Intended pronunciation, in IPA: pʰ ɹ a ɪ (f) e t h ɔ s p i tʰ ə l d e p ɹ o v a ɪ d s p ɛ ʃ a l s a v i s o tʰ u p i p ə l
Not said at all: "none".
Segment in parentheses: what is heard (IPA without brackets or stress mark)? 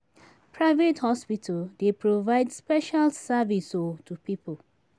v